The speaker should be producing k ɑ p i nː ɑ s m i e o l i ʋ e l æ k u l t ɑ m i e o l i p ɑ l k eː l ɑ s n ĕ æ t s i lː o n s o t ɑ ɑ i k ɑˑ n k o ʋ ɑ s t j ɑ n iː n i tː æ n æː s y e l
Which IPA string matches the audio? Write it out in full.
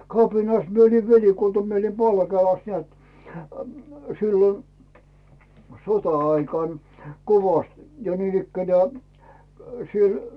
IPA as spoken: k ɑ p i n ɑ s m i e o l i ʋ e l i k u l t ɑ m i e o l i p ɑ l k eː l ɑ s n ĕ æ t s i lː o n s o t ɑ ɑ i k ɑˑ n k o ʋ ɑ s t j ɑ n iː n i kː æ n æː s i e l